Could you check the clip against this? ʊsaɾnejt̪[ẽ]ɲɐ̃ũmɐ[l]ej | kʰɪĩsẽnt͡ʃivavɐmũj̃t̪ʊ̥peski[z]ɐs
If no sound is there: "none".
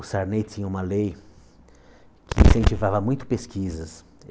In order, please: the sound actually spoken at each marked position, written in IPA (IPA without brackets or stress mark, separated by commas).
ĩ, l, z